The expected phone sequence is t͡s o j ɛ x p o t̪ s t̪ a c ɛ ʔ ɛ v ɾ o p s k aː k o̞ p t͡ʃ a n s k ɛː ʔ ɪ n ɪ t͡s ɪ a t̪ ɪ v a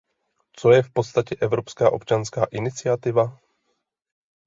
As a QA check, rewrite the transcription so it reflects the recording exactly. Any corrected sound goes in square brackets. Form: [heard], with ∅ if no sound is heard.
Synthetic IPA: t͡s o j ɛ [f] p o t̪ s t̪ a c ɛ ʔ ɛ v ɾ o p s k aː [ʔ] o̞ p t͡ʃ a n s k [aː] ʔ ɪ n ɪ t͡s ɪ a t̪ ɪ v a

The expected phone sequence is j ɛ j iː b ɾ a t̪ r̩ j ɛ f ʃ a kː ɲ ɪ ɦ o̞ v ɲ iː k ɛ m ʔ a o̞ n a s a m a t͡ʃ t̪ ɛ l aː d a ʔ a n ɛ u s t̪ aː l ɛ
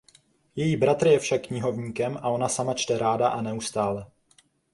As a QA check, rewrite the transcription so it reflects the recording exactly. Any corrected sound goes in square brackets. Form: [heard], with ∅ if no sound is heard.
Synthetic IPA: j ɛ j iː b ɾ a t̪ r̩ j ɛ f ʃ a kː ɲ ɪ ɦ o̞ v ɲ iː k ɛ m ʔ a o̞ n a s a m a t͡ʃ t̪ ɛ [ɾ] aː d a ʔ a n ɛ u s t̪ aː l ɛ

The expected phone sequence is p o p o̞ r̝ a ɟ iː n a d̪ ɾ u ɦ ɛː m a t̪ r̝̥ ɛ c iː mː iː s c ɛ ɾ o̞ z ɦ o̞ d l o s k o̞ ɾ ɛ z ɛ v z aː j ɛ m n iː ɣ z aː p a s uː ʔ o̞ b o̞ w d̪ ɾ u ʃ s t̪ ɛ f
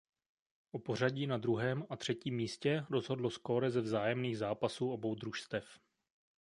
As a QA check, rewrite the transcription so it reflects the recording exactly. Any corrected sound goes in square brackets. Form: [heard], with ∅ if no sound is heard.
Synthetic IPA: [ʔ] o p o̞ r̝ a ɟ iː n a d̪ ɾ u ɦ ɛː m a t̪ r̝̥ ɛ c iː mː iː s c ɛ ɾ o̞ z ɦ o̞ d l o s k o̞ ɾ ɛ z ɛ v z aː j ɛ m n iː ɣ z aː p a s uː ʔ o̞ b o̞ w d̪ ɾ u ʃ s t̪ ɛ f

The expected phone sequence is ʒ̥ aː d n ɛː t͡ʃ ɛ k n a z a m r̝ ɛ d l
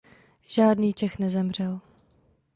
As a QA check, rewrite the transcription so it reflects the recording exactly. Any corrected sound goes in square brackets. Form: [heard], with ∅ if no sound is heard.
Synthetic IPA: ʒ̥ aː d n [iː] t͡ʃ ɛ [x] n [ɛ] z [ɛ] m r̝ ɛ [∅] l

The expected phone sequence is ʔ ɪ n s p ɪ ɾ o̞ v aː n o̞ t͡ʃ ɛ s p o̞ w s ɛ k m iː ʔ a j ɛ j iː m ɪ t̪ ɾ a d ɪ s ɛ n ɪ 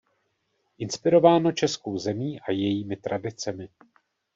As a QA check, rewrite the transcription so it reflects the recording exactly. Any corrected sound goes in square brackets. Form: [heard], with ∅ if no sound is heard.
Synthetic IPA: ʔ ɪ n s p ɪ ɾ o̞ v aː n o̞ t͡ʃ ɛ s [k] o̞ w [z] ɛ [∅] m iː ʔ a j ɛ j iː m ɪ t̪ ɾ a d ɪ [t͡s] ɛ [m] ɪ

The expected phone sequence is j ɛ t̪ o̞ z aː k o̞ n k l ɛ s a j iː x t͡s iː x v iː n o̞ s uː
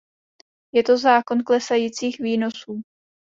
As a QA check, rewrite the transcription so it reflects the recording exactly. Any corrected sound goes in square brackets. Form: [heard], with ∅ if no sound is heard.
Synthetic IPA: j ɛ t̪ o̞ z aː k o̞ n k l ɛ s a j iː [∅] t͡s iː x v iː n o̞ s uː

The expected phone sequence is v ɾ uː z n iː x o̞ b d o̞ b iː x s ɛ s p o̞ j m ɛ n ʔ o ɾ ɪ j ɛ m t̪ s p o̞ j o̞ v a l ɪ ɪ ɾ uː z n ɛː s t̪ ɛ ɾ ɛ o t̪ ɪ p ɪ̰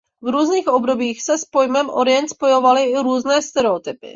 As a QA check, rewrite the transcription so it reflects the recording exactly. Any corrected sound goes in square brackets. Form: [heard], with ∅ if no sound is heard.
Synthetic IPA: v ɾ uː z n iː x o̞ b d o̞ b iː x s ɛ s p o̞ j m ɛ [m] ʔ o ɾ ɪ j ɛ [n] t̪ s p o̞ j o̞ v a l ɪ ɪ ɾ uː z n ɛː s t̪ ɛ ɾ ɛ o t̪ ɪ p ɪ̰

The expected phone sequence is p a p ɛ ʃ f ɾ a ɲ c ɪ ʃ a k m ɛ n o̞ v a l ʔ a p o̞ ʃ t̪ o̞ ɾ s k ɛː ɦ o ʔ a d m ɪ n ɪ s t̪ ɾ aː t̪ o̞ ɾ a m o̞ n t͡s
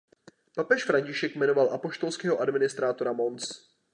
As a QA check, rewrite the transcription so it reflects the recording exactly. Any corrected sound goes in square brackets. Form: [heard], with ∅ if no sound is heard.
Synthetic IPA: p a p ɛ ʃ f ɾ a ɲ c ɪ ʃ [ɛ] k m ɛ n o̞ v a l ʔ a p o̞ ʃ t̪ o̞ [l] s k ɛː ɦ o ʔ a d m ɪ n ɪ s t̪ ɾ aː t̪ o̞ ɾ a m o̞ n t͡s

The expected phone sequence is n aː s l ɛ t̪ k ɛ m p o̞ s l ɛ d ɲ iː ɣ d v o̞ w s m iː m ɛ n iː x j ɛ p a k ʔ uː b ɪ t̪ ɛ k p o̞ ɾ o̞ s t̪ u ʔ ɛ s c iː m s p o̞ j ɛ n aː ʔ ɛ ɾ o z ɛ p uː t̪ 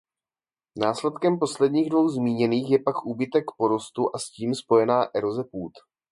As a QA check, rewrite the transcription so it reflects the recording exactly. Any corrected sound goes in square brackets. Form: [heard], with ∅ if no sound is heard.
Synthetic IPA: n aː s l ɛ t̪ k ɛ m p o̞ s l ɛ d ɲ iː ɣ d v o̞ w [z] m iː [ɲ] ɛ n iː x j ɛ p a k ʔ uː b ɪ t̪ ɛ k p o̞ ɾ o̞ s t̪ u ʔ [a] s c iː m s p o̞ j ɛ n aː ʔ ɛ ɾ o z ɛ p uː t̪

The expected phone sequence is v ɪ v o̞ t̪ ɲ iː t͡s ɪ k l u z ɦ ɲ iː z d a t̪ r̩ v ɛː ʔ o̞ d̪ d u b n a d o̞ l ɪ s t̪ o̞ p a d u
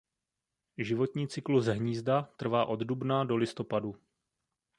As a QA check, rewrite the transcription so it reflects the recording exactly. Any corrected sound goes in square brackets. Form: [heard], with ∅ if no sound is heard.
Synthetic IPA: [ʒ] ɪ v o̞ t̪ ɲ iː t͡s ɪ k l u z ɦ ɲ iː z d a t̪ r̩ v [aː] ʔ o̞ d̪ d u b n a d o̞ l ɪ s t̪ o̞ p a d u

